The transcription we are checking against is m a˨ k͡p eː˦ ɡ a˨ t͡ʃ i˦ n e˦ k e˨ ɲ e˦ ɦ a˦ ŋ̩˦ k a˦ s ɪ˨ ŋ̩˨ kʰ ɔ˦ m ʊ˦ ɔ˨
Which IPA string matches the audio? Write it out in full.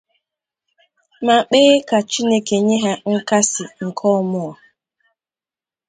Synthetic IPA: m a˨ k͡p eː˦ k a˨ t͡ʃ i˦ n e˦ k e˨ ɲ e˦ ɦ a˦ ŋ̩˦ k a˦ s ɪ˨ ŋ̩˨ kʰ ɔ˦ m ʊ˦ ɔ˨